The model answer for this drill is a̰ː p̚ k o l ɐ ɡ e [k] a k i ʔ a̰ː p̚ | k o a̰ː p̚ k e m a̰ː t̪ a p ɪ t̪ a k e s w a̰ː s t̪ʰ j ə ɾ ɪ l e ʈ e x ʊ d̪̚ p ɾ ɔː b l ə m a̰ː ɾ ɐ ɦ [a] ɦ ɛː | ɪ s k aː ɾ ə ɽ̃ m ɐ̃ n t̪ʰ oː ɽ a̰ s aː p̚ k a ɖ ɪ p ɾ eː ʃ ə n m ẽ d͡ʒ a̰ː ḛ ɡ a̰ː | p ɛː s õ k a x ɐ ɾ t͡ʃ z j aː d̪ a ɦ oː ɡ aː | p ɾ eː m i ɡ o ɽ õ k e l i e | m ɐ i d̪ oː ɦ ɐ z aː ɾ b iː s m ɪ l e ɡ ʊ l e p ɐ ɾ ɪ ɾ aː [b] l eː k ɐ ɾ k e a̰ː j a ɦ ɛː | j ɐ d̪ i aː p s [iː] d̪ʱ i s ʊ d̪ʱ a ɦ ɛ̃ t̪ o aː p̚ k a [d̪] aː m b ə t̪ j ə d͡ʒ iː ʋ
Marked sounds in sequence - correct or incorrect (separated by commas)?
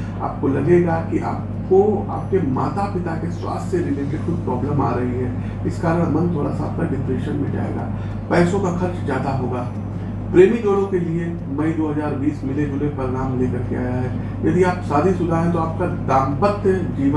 incorrect, incorrect, incorrect, incorrect, correct